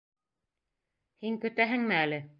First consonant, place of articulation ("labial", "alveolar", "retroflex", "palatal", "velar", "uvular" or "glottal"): glottal